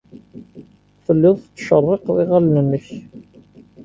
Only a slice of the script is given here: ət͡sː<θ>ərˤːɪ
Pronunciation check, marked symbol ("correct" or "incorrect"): incorrect